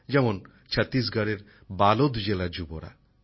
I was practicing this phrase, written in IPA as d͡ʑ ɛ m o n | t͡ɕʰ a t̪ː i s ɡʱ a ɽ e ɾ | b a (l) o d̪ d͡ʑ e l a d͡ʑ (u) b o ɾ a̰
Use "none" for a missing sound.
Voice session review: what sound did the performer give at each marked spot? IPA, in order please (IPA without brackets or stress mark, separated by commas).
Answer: l, u